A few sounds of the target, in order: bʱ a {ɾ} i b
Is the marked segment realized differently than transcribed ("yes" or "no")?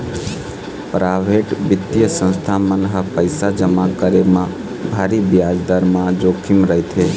no